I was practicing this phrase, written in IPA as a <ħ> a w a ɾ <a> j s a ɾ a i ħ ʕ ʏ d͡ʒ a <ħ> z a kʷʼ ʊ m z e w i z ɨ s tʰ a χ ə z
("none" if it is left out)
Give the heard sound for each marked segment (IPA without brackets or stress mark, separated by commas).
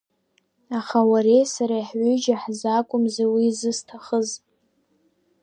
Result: χ, e, ħ